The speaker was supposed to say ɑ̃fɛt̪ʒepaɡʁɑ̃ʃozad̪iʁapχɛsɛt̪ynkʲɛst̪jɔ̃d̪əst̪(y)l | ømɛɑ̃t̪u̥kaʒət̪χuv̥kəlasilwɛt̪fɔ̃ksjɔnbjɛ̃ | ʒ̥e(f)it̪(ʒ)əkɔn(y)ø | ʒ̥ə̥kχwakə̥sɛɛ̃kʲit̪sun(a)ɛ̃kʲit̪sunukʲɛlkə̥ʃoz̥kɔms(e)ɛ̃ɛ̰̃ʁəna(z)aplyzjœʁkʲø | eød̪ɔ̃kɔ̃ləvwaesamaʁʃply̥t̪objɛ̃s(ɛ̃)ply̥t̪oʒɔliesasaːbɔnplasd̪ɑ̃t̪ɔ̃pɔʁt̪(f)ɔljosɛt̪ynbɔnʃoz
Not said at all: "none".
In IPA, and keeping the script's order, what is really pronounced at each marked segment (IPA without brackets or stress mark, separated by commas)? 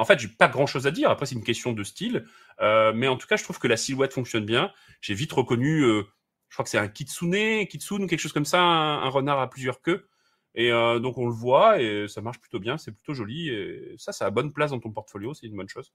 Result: i, v, ʁ, y, e, a, ʁ, ɛ, f